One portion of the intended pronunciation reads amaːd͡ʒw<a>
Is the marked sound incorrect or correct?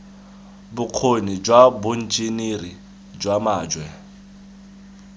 incorrect